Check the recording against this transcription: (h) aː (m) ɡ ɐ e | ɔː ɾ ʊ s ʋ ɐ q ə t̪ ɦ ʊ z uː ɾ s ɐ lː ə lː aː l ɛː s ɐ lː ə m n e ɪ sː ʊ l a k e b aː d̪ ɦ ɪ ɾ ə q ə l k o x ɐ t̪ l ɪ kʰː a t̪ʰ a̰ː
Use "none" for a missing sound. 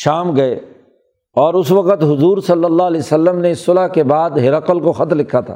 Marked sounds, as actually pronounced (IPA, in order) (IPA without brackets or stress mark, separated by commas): ʃ, m